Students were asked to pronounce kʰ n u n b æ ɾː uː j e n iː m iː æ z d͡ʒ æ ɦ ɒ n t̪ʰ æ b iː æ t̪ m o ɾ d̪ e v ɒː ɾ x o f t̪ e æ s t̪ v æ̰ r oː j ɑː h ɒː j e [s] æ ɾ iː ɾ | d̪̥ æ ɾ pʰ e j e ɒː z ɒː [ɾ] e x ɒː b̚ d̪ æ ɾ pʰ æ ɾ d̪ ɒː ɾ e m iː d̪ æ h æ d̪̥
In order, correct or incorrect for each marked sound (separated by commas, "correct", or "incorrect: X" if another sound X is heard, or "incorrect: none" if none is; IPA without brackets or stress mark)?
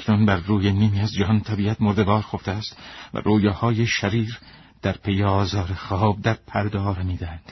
incorrect: ʃ, correct